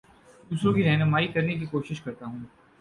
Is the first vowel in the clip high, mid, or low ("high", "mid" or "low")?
high